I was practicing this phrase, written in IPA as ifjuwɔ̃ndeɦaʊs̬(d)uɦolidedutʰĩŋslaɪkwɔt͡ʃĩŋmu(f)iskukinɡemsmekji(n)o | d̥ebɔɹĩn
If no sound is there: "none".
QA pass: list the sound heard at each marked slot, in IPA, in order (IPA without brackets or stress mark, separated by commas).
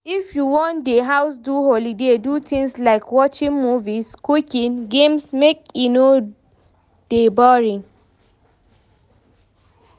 d, v, n